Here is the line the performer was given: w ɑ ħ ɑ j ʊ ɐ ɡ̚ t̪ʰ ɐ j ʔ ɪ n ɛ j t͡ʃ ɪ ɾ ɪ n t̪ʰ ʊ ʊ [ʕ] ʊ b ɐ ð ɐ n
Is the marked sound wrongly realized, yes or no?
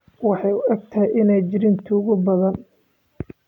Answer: yes